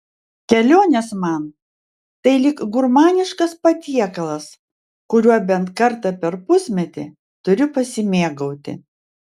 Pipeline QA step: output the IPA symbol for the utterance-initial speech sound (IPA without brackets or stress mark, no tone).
kʲ